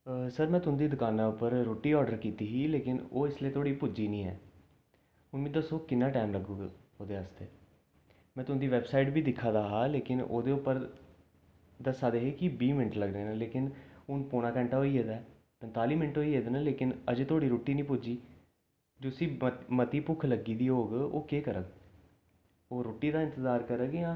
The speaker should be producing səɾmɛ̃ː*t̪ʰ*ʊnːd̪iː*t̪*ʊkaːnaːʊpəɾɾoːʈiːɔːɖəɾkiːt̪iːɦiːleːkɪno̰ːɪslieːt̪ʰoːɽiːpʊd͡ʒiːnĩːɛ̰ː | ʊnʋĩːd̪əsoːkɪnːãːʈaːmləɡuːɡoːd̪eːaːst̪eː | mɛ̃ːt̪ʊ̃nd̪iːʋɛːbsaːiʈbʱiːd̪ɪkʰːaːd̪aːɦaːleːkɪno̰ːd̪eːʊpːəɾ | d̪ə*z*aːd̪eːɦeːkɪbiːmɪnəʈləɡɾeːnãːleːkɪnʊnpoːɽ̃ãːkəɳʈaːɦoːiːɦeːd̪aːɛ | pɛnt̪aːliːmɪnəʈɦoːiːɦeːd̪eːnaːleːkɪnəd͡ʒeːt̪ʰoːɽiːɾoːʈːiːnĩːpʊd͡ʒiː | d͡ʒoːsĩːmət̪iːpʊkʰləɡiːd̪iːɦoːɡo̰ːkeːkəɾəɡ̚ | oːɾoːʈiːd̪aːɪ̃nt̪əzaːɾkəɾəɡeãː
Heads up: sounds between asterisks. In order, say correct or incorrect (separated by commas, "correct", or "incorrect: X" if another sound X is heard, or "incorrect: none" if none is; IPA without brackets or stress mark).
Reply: incorrect: t̪, incorrect: d̪, incorrect: s